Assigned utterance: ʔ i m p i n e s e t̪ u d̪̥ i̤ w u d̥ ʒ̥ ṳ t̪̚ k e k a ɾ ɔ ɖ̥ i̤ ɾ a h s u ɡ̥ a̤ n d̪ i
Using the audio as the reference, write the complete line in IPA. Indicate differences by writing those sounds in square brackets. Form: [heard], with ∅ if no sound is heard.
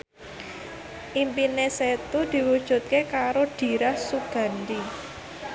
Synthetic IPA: ʔ i m p i n e s e t̪ u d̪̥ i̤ w u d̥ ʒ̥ ṳ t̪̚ k e k a ɾ [o] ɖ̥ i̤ ɾ a h s u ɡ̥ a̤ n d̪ i